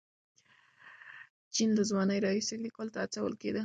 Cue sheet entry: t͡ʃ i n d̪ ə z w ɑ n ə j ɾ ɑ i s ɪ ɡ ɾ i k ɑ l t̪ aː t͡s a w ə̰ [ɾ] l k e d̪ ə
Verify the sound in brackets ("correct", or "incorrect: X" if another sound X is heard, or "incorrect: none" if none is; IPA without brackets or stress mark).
incorrect: none